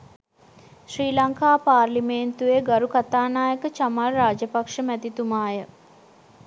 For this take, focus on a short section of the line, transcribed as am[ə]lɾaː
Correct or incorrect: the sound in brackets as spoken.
incorrect: a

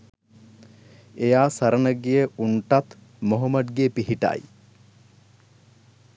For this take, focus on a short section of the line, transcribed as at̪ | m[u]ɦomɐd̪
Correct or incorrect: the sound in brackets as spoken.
incorrect: o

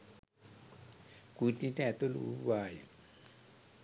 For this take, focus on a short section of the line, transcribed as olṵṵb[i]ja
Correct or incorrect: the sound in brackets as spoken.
incorrect: a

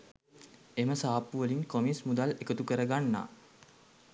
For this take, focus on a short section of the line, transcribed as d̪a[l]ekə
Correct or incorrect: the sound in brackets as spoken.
correct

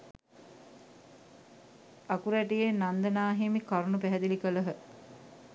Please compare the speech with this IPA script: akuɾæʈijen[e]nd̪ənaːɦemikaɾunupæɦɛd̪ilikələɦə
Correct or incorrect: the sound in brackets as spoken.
incorrect: a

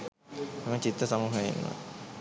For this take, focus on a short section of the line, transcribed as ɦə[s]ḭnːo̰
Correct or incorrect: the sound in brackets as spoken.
incorrect: none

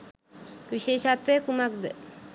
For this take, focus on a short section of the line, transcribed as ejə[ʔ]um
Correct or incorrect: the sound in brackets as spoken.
incorrect: k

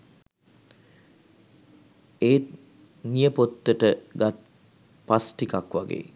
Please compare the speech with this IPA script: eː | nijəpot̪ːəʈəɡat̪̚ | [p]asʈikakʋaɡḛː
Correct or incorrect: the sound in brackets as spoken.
correct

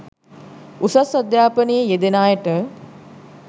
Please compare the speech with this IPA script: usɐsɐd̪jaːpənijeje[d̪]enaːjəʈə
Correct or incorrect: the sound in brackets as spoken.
correct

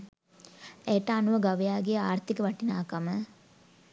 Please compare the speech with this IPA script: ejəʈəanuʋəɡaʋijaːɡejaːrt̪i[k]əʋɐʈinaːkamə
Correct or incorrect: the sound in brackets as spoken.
correct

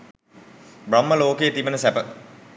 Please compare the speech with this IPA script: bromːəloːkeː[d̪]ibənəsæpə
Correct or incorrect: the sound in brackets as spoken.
incorrect: t̪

